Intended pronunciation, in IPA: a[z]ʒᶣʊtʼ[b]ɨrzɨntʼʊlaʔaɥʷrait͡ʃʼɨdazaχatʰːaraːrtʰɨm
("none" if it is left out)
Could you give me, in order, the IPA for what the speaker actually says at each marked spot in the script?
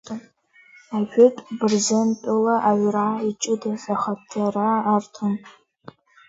none, b

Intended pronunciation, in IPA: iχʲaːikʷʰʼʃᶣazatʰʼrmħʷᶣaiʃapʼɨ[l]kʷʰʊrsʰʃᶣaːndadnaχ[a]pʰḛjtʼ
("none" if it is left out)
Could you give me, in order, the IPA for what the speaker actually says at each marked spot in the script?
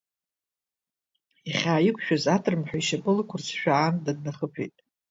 l, ə

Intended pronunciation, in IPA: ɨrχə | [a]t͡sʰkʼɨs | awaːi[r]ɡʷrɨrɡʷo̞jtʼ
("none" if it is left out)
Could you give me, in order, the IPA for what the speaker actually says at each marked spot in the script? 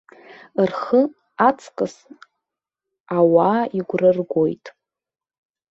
a, none

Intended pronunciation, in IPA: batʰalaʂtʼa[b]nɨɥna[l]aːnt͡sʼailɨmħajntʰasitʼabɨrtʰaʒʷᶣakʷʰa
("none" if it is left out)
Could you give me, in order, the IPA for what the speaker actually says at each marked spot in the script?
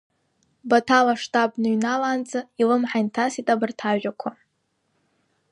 b, l

